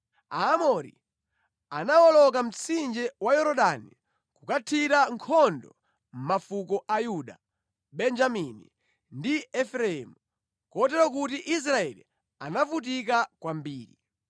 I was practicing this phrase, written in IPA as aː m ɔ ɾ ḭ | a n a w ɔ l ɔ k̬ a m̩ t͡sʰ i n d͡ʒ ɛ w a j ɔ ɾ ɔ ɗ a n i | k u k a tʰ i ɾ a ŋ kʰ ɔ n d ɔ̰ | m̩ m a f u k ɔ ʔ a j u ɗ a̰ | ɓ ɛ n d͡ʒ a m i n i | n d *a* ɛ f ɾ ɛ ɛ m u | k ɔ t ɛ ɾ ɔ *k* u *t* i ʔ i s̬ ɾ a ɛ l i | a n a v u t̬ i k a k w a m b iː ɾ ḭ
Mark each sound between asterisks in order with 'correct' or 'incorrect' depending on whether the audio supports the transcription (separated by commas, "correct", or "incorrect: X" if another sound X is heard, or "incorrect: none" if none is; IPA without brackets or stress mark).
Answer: incorrect: i, correct, correct